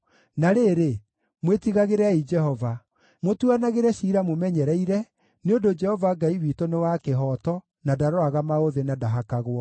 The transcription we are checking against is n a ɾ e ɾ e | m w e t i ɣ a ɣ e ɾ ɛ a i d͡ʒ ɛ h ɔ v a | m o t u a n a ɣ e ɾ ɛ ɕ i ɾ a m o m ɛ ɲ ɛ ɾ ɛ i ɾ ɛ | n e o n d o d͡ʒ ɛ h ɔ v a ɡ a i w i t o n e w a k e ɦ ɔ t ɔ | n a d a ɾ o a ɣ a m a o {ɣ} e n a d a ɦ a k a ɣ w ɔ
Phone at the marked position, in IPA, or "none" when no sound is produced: ð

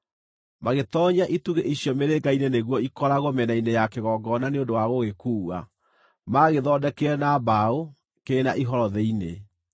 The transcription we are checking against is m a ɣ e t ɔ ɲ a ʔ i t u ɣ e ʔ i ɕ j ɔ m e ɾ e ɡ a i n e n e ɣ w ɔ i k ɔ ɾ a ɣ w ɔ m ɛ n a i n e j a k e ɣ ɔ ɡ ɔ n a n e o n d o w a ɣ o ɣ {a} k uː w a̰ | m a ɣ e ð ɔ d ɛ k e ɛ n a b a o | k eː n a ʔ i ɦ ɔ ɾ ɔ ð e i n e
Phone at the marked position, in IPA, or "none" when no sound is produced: e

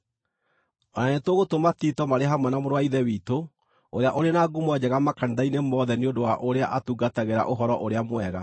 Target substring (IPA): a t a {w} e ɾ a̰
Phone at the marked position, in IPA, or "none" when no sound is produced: ɣ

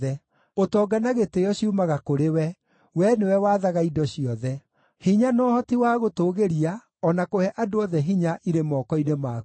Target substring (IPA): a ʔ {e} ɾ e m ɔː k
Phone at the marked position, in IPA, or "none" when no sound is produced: i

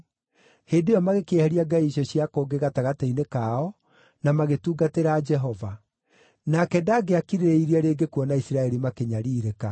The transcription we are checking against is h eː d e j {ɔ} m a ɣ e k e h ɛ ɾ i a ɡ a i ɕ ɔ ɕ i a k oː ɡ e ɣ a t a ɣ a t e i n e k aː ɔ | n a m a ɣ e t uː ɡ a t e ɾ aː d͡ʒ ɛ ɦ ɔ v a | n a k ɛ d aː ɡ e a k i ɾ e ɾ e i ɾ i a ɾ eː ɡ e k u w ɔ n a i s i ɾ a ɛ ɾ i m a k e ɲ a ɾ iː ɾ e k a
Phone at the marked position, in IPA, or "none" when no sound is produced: ɔ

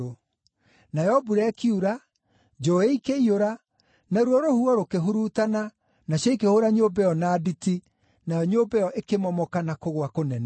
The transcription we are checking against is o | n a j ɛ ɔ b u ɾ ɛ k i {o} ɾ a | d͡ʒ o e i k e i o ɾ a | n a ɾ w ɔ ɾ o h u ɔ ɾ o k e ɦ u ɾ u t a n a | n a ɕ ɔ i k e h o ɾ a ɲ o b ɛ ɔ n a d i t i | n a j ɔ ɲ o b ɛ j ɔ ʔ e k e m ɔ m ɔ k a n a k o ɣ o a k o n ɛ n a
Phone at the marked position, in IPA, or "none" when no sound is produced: u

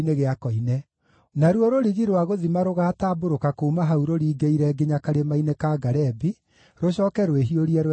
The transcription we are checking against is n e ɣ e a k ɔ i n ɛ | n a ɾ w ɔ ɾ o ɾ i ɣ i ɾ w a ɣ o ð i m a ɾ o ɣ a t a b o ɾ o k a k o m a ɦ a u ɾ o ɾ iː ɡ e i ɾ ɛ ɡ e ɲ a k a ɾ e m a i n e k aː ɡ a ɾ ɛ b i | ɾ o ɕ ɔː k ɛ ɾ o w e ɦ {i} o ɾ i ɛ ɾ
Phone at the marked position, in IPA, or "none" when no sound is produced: i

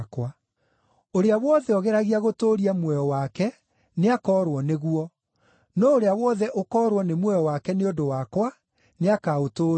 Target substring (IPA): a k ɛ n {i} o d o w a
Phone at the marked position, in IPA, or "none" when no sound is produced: e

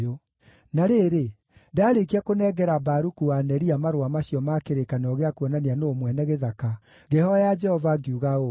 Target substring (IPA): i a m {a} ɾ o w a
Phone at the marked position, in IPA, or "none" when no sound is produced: a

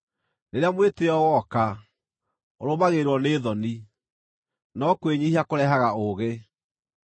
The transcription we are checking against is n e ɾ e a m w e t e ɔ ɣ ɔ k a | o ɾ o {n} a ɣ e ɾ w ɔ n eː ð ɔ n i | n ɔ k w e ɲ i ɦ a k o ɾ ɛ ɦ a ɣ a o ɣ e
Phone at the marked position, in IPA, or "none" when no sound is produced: m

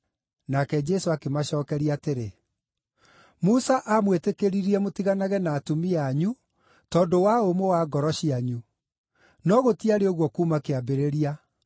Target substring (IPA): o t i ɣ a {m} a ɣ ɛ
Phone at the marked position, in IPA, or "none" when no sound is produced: n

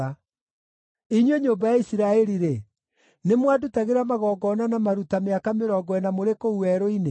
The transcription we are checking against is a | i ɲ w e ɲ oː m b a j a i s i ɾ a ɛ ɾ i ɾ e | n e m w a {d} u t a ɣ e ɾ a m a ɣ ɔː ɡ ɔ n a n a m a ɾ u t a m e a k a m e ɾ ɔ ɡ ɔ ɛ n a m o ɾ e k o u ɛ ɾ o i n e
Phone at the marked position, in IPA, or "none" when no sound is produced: d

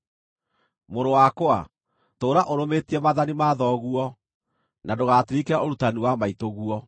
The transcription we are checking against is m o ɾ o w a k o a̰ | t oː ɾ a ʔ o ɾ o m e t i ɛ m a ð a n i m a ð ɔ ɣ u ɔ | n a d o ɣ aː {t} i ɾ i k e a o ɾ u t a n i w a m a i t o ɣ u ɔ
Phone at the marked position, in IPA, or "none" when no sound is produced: t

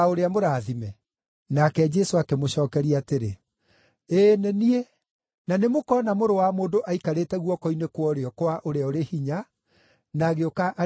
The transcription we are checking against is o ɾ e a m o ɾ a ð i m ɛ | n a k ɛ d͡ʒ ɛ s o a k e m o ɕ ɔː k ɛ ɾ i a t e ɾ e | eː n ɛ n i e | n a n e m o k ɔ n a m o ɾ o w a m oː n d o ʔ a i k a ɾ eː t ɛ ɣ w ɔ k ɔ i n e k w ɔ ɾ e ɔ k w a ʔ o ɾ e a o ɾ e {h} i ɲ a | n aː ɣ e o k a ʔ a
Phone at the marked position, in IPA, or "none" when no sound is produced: h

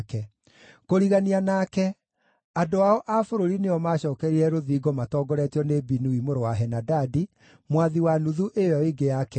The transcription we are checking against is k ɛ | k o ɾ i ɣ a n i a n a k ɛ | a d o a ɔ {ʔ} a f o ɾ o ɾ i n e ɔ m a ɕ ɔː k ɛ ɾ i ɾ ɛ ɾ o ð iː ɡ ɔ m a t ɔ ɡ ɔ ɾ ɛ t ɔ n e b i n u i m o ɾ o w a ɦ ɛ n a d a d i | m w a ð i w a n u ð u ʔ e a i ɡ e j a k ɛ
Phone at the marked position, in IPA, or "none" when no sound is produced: ʔ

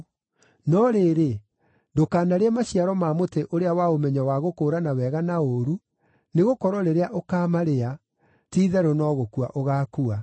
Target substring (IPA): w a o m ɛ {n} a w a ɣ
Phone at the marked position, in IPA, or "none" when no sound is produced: ɲ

